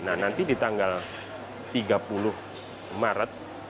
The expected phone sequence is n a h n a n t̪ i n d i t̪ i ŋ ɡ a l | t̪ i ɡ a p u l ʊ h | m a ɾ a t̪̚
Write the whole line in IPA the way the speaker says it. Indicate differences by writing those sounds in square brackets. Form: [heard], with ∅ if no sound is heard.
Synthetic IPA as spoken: n a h n a n t̪ i [∅] d i t̪ [a] ŋ ɡ a l | t̪ i ɡ a p u l ʊ h | m a ɾ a t̪̚